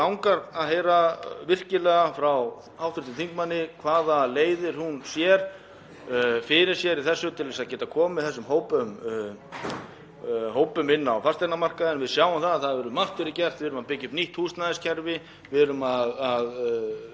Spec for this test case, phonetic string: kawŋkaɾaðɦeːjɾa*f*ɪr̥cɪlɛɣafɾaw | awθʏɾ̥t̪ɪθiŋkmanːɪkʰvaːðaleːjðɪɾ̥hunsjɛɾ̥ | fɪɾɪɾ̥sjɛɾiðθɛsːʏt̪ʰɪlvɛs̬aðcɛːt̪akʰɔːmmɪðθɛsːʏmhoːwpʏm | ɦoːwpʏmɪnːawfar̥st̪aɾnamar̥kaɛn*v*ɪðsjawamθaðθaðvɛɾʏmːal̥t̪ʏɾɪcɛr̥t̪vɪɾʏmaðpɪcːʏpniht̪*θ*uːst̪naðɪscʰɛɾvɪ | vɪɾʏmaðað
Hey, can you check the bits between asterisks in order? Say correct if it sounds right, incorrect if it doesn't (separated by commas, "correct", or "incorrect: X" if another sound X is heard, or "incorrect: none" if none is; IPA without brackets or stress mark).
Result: incorrect: v, correct, incorrect: h